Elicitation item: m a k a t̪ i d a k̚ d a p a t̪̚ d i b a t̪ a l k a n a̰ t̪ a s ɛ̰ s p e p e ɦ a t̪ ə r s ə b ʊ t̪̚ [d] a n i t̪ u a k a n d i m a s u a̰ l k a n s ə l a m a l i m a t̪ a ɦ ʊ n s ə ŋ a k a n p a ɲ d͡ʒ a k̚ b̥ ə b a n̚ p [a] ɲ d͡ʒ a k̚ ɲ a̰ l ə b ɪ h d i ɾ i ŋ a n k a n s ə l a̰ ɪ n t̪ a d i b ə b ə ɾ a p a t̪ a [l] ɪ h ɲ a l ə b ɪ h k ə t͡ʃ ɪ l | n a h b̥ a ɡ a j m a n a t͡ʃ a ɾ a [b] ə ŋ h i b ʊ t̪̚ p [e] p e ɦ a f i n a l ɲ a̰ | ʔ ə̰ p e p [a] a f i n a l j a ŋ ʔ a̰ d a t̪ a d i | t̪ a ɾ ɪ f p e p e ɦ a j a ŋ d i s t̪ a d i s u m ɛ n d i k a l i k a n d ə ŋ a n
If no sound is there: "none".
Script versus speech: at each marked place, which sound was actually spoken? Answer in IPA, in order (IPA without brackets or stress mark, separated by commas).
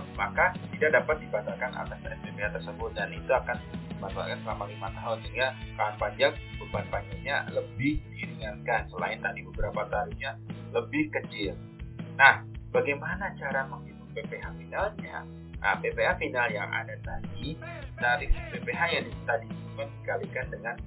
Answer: d, a, ɾ, m, e, e